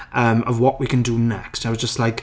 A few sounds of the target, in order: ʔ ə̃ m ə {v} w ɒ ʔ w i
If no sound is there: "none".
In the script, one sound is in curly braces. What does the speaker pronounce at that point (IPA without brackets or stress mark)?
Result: v